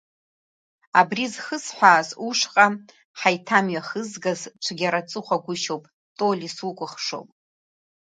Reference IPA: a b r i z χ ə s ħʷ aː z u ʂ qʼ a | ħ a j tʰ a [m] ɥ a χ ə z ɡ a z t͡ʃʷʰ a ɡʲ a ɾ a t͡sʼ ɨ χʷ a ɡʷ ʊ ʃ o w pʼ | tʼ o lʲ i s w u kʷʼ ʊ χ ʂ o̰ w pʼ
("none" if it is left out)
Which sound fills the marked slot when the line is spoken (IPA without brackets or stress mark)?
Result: m